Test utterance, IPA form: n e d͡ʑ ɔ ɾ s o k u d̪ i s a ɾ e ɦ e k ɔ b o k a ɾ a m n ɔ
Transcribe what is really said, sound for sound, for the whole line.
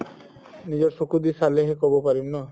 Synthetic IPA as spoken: n i d͡ʑ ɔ ɾ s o k u d̪ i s a l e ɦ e k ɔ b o p a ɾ i m n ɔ